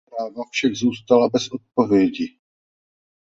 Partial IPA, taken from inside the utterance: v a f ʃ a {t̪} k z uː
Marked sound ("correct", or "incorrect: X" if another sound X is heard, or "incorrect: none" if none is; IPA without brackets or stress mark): incorrect: none